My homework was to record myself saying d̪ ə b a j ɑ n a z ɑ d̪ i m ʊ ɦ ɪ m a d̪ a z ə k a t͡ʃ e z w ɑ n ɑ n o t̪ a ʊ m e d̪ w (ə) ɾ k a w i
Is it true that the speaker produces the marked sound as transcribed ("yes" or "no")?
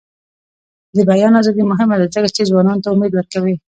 yes